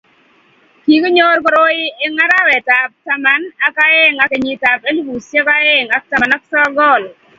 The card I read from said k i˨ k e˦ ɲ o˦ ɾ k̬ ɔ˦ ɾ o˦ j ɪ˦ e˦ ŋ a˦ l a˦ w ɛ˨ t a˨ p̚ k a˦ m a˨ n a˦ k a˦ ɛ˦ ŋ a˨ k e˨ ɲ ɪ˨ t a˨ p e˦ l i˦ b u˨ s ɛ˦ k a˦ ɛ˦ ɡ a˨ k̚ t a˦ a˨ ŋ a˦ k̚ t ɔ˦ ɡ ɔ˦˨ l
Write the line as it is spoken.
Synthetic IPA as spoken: k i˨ k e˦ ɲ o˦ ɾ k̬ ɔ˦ ɾ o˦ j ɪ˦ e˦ ŋ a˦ ɾ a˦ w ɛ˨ t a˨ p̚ t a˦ m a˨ n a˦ k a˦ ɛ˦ ŋ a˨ k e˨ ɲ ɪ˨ t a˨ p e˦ l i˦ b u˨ s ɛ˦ k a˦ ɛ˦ ŋ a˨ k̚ t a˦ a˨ n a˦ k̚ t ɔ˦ ɡ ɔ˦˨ l